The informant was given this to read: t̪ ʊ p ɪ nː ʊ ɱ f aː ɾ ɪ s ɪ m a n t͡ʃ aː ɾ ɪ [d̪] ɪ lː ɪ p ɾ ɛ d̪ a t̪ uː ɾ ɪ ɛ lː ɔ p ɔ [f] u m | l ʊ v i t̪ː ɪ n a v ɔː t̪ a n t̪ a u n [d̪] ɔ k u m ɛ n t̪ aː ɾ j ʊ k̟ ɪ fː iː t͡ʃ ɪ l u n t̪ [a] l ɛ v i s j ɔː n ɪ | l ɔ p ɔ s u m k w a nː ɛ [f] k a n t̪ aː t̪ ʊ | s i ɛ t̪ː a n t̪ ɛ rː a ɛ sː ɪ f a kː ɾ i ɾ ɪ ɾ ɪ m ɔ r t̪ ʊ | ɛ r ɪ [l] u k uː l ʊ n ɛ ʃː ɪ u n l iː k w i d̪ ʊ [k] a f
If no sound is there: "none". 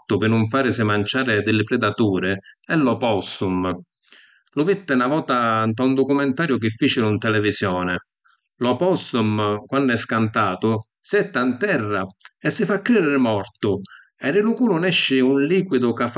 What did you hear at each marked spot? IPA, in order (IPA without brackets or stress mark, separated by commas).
d̪, s, d̪, ɛ, s, l, k